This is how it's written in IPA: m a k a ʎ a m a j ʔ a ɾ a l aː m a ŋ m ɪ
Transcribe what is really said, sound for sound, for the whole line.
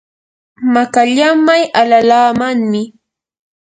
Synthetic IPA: m a k a ʎ a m a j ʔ a l a l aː m a ŋ m ɪ